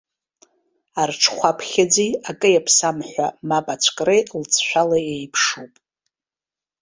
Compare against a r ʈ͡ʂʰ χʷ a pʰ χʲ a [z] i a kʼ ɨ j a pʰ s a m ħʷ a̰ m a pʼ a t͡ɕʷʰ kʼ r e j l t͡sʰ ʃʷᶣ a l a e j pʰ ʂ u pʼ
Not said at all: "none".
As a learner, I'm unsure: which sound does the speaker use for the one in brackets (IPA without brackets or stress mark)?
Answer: d͡z